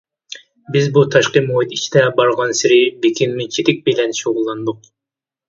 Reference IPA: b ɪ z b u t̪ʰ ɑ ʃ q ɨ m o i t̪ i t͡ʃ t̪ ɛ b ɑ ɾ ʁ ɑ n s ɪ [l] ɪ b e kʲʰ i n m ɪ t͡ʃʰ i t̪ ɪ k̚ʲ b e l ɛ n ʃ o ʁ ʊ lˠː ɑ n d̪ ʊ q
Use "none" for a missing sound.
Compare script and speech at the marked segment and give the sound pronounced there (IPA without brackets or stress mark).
ɾ